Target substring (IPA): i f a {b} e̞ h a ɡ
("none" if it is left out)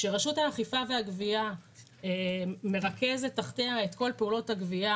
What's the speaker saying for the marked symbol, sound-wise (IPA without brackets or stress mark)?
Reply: v